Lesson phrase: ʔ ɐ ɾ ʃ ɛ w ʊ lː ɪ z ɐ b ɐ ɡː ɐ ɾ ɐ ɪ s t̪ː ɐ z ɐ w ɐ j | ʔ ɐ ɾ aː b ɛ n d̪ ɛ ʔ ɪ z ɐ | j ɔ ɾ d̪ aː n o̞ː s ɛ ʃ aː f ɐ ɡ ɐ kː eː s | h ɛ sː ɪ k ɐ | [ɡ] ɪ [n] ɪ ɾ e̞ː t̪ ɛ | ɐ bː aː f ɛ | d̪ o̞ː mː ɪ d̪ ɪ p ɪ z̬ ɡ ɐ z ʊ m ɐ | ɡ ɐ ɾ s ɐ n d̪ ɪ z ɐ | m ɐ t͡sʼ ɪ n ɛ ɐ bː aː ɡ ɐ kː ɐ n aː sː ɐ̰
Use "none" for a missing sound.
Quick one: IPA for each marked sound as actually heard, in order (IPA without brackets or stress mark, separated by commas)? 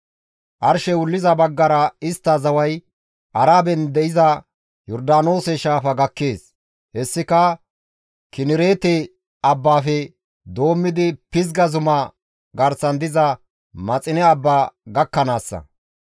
k, n